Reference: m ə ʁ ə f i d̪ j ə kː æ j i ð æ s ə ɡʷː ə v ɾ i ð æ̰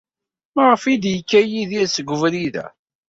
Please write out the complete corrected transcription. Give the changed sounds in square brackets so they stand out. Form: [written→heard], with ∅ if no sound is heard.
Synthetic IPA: m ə ʁ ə f i d̪ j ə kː æ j i ð [æ→i] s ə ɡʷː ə v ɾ i ð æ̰